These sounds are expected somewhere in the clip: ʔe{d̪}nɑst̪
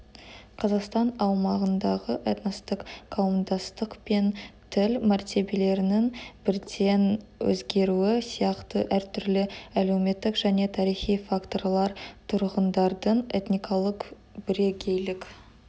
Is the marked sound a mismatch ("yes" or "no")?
yes